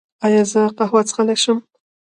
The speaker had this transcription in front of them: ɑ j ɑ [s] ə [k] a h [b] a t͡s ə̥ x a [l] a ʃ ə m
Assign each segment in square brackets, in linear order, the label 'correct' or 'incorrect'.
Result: incorrect, incorrect, incorrect, correct

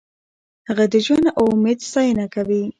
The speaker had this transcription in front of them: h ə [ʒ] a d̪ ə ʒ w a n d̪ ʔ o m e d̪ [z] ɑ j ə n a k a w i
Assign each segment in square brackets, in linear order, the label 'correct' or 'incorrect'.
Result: incorrect, incorrect

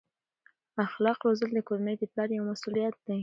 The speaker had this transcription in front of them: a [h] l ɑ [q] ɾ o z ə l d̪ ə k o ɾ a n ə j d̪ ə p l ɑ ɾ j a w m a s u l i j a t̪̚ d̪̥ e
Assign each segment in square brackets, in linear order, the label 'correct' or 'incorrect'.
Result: incorrect, correct

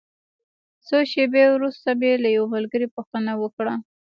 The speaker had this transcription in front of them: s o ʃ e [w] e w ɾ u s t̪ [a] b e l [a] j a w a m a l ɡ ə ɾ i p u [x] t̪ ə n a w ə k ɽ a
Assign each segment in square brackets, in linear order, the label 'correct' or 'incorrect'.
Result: incorrect, correct, correct, correct

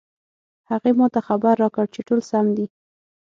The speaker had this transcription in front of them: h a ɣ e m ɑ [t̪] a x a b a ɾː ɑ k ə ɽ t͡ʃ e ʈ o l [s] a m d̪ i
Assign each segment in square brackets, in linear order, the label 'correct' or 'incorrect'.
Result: correct, correct

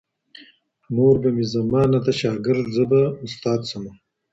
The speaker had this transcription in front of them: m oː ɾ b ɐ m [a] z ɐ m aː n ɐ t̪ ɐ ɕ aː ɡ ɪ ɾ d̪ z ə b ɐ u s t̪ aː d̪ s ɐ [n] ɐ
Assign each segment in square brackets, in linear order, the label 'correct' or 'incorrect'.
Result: incorrect, incorrect

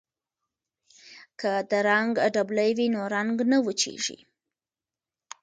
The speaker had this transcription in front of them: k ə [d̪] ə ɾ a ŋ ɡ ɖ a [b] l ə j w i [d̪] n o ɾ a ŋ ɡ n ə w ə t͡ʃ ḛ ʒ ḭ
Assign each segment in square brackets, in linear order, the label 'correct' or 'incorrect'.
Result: correct, correct, incorrect

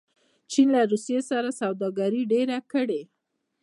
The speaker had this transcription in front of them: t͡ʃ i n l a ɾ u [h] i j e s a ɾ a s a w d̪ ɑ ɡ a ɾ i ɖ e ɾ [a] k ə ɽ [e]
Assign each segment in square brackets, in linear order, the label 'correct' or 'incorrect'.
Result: incorrect, correct, correct

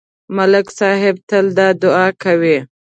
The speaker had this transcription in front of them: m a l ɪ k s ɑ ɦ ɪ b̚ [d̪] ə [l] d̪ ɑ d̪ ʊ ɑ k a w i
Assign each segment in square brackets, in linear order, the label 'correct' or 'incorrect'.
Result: incorrect, correct

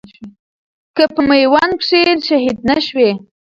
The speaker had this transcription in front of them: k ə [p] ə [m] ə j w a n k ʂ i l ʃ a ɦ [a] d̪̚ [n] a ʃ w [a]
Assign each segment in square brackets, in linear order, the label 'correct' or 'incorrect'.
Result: correct, correct, incorrect, correct, incorrect

